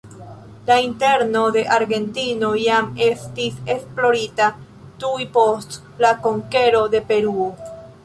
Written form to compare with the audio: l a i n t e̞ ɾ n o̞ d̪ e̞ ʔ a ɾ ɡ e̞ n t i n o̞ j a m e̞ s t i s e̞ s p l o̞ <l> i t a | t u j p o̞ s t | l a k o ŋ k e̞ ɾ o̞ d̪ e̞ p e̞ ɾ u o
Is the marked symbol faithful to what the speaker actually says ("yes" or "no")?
no